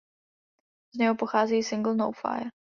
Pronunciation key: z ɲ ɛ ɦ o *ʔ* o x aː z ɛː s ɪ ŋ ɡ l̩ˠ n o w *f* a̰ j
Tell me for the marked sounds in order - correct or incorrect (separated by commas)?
incorrect, correct